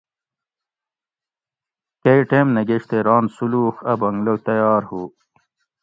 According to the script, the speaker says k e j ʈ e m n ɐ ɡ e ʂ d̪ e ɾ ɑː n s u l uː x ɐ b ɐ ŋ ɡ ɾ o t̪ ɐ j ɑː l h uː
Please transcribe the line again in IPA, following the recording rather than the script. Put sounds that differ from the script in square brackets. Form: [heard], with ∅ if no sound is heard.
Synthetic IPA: k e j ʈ e m n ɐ ɡ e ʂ [t̪] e ɾ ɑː n s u l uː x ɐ b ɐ ŋ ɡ [l] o t̪ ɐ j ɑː [ɾ] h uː